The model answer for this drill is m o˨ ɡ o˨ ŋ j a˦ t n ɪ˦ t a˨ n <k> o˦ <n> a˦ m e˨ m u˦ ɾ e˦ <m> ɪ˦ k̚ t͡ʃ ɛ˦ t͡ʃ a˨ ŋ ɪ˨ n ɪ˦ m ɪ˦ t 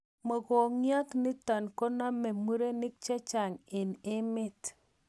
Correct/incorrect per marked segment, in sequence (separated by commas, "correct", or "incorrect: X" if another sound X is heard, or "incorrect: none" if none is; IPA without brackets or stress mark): correct, correct, incorrect: n